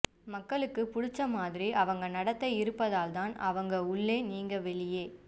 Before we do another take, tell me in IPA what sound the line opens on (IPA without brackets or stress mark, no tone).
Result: m